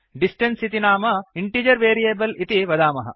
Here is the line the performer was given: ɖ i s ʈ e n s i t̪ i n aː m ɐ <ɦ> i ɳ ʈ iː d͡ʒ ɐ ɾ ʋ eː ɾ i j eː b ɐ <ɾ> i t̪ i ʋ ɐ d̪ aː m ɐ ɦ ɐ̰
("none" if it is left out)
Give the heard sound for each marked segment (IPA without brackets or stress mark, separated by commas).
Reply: none, l